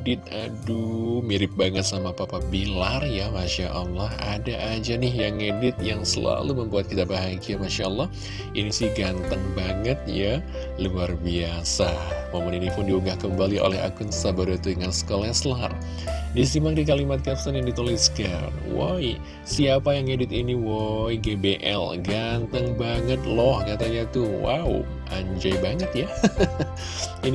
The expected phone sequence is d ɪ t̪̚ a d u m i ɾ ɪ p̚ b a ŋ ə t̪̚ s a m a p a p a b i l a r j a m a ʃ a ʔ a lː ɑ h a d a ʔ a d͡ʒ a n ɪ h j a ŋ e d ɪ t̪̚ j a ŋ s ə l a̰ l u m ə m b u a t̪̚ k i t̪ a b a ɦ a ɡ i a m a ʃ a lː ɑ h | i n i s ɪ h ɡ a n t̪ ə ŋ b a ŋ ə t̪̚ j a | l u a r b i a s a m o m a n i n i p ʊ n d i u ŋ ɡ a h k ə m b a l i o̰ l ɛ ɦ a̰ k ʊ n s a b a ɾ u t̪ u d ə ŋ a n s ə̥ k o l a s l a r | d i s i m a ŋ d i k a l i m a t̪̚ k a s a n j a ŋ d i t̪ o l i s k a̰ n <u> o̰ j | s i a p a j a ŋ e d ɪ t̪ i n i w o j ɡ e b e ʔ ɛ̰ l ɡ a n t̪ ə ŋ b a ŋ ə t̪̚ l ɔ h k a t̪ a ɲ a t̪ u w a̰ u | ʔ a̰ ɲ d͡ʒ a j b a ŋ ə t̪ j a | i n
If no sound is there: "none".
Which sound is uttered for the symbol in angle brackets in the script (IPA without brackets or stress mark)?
w